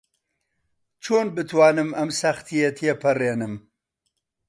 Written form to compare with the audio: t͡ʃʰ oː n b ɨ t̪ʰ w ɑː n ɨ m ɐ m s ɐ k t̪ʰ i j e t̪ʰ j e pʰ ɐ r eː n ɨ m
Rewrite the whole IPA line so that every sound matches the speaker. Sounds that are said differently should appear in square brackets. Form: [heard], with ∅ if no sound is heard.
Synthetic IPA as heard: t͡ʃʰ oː n b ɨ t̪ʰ w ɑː n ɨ m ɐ m s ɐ [x] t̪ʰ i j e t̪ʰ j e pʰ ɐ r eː n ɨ m